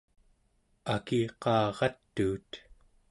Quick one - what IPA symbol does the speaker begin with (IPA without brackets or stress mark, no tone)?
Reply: a